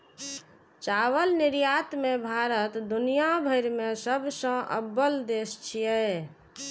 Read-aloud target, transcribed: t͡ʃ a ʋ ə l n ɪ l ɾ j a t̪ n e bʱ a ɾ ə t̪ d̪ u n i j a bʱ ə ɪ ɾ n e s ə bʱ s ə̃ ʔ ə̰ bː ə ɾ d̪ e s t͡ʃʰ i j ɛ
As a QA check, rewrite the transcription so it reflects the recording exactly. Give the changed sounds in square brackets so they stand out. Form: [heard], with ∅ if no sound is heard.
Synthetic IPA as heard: t͡ʃ a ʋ ə l n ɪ [∅] ɾ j a t̪ [m] e bʱ a ɾ ə t̪ d̪ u n i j a bʱ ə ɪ ɾ [m] e s ə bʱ s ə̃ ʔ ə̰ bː ə [l] d̪ e s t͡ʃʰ i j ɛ